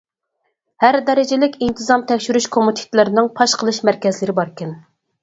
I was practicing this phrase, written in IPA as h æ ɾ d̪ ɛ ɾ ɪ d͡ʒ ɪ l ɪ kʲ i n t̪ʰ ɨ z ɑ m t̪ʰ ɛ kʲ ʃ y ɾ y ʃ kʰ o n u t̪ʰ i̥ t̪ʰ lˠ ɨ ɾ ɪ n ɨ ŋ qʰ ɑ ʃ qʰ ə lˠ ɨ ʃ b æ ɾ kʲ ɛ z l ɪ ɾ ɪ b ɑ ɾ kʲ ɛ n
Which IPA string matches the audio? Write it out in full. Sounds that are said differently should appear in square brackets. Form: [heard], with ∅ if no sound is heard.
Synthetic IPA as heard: h æ ɾ d̪ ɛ ɾ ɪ d͡ʒ ɪ l ɪ kʲ i n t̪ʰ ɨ z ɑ m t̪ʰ ɛ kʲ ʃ y ɾ y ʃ kʰ o [m] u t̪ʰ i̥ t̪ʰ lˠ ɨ ɾ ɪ n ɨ ŋ [pʰ] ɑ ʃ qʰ ə lˠ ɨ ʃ [m] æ ɾ kʲ ɛ z l ɪ ɾ ɪ b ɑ ɾ kʲ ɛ n